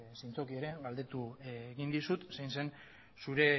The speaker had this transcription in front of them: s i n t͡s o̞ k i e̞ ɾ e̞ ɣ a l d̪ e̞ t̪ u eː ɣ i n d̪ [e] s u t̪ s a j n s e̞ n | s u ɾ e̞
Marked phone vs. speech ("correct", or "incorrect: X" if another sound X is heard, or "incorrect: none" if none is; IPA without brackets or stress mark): incorrect: i